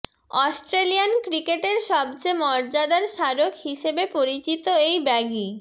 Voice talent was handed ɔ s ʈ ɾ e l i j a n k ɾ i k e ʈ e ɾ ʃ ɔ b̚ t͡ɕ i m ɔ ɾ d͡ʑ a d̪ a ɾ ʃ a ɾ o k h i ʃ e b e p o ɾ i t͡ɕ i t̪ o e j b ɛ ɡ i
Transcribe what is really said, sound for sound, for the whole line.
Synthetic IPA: ɔ s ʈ ɾ e l i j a n k ɾ i k e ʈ e ɾ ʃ ɔ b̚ t͡ɕ e m ɔ ɾ d͡ʑ a d̪ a ɾ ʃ a ɾ o k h i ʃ e b e p o ɾ i t͡ɕ i t̪ o e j b ɛ ɡ i